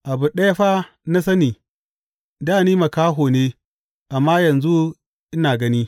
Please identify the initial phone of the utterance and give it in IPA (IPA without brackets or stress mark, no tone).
ʔ